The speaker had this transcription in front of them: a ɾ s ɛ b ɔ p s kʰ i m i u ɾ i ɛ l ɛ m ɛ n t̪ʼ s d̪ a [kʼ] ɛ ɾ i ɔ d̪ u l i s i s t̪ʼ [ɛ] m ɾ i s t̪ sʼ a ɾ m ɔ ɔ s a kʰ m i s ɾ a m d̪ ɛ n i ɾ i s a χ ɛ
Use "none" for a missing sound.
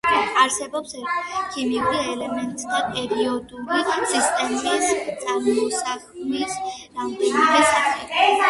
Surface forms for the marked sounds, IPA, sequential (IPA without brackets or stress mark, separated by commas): pʼ, ɛ